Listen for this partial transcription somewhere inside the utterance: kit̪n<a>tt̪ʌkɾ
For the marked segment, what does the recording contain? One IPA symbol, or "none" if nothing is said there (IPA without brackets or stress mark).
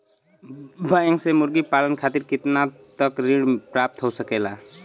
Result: a